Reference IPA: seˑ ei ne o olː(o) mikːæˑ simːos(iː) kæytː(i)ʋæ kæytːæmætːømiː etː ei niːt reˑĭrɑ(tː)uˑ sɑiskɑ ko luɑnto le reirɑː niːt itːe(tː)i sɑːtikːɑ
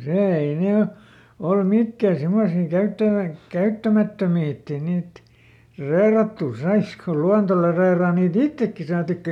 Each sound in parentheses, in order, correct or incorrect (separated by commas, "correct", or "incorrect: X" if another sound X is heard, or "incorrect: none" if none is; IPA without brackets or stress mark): incorrect: u, correct, incorrect: æ, correct, incorrect: kː